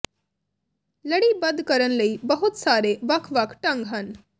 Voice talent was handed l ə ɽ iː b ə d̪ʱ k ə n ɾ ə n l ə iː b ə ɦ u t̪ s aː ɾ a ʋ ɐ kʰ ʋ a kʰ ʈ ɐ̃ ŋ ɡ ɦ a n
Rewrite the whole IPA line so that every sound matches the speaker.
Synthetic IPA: l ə ɽ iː b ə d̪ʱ k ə ɾ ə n l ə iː b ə ɦ u t̪ s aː ɾ e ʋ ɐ kʰ ʋ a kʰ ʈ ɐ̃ ŋ ɡ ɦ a n